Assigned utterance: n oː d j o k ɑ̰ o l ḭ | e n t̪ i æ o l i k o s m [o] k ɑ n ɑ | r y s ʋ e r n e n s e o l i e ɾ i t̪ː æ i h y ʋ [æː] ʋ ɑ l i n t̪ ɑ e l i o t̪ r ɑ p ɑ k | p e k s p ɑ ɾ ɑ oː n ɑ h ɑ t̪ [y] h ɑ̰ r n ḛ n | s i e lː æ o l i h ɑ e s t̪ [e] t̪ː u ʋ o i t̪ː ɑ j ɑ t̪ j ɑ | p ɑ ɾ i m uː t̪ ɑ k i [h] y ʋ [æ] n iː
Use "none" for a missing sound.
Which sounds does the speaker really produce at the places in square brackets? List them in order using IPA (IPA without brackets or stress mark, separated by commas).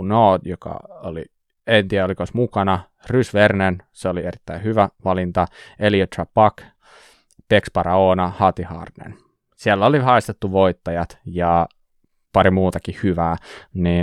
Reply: u, æ, i, e, h, æː